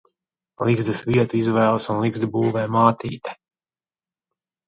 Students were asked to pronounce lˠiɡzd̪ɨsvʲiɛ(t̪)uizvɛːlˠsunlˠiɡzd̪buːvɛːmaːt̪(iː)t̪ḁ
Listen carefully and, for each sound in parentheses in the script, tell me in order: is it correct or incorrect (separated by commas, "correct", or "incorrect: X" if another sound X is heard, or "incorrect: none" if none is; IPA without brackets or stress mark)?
correct, correct